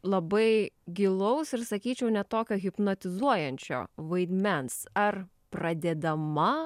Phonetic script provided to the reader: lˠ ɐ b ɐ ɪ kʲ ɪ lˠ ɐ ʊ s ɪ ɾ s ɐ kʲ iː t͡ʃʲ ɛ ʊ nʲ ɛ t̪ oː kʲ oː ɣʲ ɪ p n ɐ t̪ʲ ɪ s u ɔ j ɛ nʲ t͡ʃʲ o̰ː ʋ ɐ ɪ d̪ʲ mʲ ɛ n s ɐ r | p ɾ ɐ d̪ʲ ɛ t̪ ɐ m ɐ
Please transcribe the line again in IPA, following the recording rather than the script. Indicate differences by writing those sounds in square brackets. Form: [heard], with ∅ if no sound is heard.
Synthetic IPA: lˠ ɐ b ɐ ɪ [ɡʲ] ɪ lˠ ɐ ʊ s ɪ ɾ s ɐ kʲ iː t͡ʃʲ ɛ ʊ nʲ ɛ t̪ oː kʲ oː ɣʲ ɪ p n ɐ t̪ʲ ɪ [z] u ɔ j ɛ nʲ t͡ʃʲ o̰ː ʋ ɐ ɪ d̪ʲ mʲ ɛ n s ɐ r | p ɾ ɐ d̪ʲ ɛ [d̪] ɐ m ɐ